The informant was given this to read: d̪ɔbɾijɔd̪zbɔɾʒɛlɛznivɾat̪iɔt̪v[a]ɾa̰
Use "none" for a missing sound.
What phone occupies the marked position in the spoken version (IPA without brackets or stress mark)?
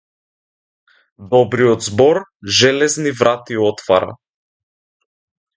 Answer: a